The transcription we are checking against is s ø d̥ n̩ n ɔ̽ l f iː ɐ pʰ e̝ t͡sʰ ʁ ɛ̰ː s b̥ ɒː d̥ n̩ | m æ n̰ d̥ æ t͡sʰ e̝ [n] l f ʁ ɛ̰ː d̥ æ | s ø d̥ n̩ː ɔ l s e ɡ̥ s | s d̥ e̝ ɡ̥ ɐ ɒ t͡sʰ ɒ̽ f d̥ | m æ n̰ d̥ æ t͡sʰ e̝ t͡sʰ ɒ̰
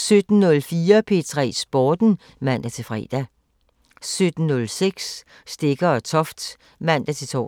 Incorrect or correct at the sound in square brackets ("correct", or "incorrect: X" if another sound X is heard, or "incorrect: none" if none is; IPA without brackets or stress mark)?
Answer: incorrect: none